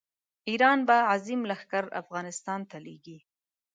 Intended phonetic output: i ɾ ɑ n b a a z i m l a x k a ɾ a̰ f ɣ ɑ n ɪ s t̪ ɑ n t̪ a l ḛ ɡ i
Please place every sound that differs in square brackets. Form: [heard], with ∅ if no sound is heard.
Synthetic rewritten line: i ɾ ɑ n b a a z i m l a x k a ɾ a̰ f ɣ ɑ n ɪ s t̪ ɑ n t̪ a l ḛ ɡ i